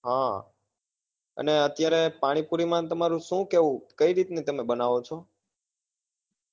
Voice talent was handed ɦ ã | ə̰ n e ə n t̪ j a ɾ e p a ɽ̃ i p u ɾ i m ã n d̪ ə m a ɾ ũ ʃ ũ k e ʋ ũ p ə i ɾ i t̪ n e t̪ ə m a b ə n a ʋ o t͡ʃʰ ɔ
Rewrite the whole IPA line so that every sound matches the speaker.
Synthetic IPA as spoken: ɦ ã | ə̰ n e ə t̪ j a ɾ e p a ɽ̃ i p u ɾ i m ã n t̪ ə m a ɾ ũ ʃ ũ k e ʋ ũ k ə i ɾ i t̪ n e t̪ ə m e b ə n a ʋ o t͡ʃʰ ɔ